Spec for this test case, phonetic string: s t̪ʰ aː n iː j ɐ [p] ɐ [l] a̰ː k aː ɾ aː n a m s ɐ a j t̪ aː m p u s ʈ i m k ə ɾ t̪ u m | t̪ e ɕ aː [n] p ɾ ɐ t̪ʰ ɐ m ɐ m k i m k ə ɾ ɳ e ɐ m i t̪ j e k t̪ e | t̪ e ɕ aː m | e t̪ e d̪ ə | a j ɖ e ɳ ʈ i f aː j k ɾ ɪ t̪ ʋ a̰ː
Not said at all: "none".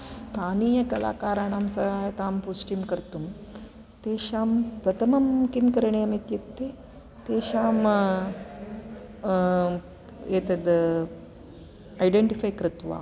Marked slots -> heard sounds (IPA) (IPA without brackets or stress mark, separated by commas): k, l, m